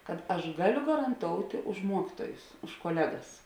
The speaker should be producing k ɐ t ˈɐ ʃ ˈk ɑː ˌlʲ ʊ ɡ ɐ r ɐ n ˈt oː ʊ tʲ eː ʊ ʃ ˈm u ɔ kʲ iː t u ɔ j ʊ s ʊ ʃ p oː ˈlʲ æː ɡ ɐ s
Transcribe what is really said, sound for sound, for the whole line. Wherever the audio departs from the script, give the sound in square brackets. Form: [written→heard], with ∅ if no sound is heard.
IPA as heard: k ɐ t ˈɐ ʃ [ˈk→ˈɡ] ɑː ˌlʲ ʊ ɡ ɐ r ɐ n ˈt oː ʊ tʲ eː ʊ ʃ ˈm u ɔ kʲ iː t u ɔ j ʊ s ʊ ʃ [p→k] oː ˈlʲ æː ɡ ɐ s